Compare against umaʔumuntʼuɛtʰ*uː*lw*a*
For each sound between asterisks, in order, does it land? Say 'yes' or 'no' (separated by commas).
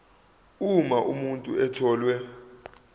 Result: no, no